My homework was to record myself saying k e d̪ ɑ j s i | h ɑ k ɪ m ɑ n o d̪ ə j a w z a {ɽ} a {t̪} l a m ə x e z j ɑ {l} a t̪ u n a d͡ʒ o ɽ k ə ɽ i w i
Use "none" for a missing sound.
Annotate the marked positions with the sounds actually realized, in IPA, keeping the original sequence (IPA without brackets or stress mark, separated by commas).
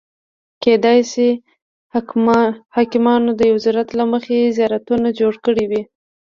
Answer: ɾ, t̪, ɾ